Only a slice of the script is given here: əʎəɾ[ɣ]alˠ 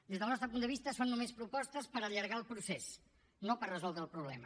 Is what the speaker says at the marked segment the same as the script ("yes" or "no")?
yes